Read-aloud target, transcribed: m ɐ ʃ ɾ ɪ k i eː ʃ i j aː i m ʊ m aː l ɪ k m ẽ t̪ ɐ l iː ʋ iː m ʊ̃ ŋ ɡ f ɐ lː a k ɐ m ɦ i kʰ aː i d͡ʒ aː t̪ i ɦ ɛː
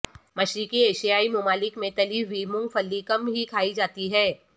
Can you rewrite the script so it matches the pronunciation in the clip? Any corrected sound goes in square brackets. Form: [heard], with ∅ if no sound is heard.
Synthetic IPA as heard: m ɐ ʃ ɾ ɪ k i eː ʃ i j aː i m ʊ m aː l ɪ k m ẽ t̪ ɐ l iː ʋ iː m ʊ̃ ŋ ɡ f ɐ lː [i] k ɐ m ɦ i kʰ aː i d͡ʒ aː t̪ i ɦ ɛː

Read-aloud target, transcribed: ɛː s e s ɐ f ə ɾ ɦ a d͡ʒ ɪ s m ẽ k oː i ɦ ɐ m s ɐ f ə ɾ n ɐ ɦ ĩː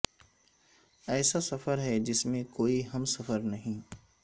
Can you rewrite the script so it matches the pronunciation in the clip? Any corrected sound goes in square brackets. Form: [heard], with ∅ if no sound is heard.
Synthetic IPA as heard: ɛː s [a] s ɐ f ə ɾ ɦ [ɛ] d͡ʒ ɪ s m ẽ k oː i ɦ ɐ m s ɐ f ə ɾ n ɐ ɦ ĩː

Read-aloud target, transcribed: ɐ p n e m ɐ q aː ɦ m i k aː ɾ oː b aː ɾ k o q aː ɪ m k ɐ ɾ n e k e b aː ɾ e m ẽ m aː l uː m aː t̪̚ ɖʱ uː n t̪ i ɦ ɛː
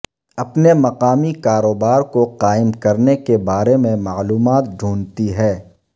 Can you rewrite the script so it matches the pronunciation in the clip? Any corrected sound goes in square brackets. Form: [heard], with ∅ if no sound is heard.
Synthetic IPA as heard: ɐ p n e m ɐ q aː [∅] m i k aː ɾ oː b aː ɾ k o q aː ɪ m k ɐ ɾ n e k e b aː ɾ e m ẽ m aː l uː m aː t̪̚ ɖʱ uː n t̪ i ɦ ɛː

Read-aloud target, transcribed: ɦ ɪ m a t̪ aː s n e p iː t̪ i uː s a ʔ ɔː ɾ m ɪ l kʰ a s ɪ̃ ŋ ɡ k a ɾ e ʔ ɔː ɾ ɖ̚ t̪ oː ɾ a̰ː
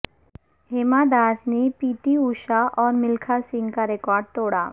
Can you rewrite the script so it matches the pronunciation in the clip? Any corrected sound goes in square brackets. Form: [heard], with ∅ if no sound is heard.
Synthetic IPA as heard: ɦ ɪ m a [d̪] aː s n e p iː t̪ i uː [ʃ] a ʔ ɔː ɾ m ɪ l kʰ a s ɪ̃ ŋ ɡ k a ɾ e [k] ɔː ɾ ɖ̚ t̪ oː [ɽ] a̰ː

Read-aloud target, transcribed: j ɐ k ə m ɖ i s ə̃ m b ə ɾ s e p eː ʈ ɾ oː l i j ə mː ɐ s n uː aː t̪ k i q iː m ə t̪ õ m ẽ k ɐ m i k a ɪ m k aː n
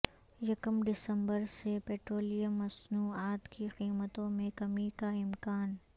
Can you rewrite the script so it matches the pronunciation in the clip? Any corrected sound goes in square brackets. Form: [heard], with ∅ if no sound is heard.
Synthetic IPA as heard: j ɐ k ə m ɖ [ɪ] s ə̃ m b ə ɾ s e p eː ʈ ɾ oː l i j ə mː ɐ s n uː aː t̪ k i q iː m ə t̪ õ m ẽ k ɐ m i k a ɪ m k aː n

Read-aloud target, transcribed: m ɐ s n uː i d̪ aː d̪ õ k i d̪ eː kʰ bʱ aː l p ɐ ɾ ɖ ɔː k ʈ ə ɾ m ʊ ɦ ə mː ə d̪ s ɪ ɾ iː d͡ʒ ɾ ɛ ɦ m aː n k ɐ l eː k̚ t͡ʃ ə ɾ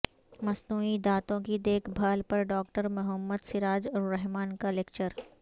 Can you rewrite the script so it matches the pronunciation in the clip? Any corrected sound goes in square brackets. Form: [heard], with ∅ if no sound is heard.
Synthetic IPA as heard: m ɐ s n uː i d̪ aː [t̪] õ k i d̪ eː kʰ bʱ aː l p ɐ ɾ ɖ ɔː k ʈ ə ɾ m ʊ ɦ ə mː ə d̪ s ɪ ɾ [aː] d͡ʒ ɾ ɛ ɦ m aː n k [a] l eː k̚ t͡ʃ ə ɾ

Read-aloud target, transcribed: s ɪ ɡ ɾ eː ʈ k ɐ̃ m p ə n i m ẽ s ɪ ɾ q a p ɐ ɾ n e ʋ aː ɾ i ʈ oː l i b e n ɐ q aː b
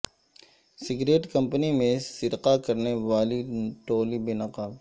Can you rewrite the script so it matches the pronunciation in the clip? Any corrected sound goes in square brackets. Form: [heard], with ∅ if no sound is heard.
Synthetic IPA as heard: s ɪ ɡ ɾ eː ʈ k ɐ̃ m p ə n i m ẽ s ɪ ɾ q a [k] ɐ ɾ n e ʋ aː [l] i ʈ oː l i b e n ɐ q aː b

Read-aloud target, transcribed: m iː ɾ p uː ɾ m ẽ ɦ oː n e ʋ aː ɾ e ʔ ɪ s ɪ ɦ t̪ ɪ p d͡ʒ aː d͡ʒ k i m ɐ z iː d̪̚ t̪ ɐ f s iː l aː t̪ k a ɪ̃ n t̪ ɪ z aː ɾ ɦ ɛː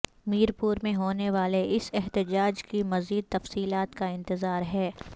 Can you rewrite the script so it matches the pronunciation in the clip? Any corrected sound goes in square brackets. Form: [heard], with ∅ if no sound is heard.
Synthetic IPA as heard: m iː ɾ p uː ɾ m ẽ ɦ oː n e ʋ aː [l] e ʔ ɪ s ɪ ɦ t̪ ɪ [∅] d͡ʒ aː d͡ʒ k i m ɐ z iː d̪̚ t̪ ɐ f s iː l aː t̪ k a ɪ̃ n t̪ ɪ z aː ɾ ɦ ɛː

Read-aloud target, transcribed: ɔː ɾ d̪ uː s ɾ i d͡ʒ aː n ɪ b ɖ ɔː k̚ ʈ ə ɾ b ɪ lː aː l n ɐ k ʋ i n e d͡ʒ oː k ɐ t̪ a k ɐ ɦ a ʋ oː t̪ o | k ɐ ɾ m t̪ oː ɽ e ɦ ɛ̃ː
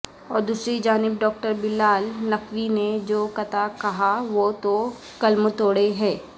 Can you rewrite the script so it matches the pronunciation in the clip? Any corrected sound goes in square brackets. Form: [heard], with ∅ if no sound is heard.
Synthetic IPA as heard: ɔː ɾ d̪ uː s ɾ i d͡ʒ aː n ɪ b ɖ ɔː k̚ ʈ ə ɾ b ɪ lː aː l n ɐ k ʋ i n e d͡ʒ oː k ɐ t̪ a k ɐ ɦ a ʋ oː t̪ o | k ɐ [l] m t̪ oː ɽ e ɦ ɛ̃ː

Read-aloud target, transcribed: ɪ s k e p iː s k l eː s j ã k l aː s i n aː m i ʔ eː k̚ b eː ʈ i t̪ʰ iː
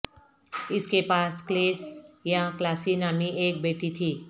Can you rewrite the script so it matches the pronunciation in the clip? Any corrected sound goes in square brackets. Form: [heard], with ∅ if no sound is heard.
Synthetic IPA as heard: ɪ s k e p [aː] s k l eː s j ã k l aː s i n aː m i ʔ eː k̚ b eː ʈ i t̪ʰ iː

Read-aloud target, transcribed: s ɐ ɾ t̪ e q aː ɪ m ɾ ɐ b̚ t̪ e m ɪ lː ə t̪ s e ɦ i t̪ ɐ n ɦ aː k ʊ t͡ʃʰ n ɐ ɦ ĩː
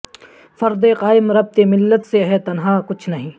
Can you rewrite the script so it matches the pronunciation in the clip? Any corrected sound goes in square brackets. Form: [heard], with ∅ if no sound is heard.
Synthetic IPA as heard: [f] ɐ ɾ [d̪] e q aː ɪ m ɾ ɐ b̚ t̪ e m ɪ lː ə t̪ s e ɦ [ɛ] t̪ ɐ n ɦ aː k ʊ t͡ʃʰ n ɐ ɦ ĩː

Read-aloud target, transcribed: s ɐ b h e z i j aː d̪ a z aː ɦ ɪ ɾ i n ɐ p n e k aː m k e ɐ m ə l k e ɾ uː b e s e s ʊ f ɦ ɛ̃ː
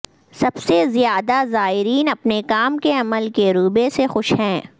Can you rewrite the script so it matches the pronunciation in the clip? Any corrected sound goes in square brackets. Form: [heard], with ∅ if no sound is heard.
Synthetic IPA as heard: s ɐ b [s] e z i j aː d̪ a z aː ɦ ɪ ɾ [iː] n ɐ p n e k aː m k e ɐ m ə l k e ɾ uː b e s e [x] ʊ [ʃ] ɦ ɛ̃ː

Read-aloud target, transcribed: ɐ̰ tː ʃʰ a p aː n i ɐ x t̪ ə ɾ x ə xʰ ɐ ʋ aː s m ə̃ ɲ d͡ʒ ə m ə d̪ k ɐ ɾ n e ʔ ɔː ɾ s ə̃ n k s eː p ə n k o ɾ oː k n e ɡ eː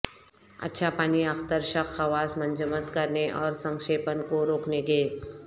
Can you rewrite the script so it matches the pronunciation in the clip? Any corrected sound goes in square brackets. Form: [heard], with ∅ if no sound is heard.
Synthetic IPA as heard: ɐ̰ tː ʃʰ a p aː n i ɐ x t̪ ə ɾ [ʃ] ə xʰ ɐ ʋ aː s m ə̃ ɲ d͡ʒ ə m ə [t̪] k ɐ ɾ n e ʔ ɔː ɾ s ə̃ [ŋ] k [ʃ] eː p ə n k o ɾ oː k n e ɡ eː

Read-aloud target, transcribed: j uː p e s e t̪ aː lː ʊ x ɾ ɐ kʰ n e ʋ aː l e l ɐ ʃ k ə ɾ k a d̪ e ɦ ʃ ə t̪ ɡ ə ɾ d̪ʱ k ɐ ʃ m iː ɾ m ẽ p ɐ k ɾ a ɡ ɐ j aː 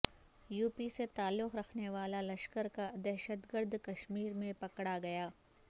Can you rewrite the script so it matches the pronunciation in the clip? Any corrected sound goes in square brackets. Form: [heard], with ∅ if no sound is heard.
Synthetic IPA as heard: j uː p [i] s e t̪ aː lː ʊ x ɾ ɐ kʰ n e ʋ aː l [a] l ɐ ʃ k ə ɾ k a d̪ [ɛ] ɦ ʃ ə t̪ ɡ ə ɾ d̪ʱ k ɐ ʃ m iː ɾ m ẽ p ɐ k [ɽ] a ɡ ɐ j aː

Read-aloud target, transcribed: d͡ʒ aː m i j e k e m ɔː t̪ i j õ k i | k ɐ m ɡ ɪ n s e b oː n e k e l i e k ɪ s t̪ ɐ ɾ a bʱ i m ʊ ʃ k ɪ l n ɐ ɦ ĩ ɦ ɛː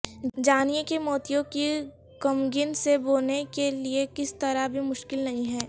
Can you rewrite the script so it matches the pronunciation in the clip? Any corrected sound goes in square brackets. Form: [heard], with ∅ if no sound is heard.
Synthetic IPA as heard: d͡ʒ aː [n] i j e k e m ɔː t̪ i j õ k i | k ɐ m ɡ ɪ n s e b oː n e k e l i e k ɪ s t̪ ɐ ɾ a bʱ i m ʊ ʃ k ɪ l n ɐ ɦ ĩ ɦ ɛː

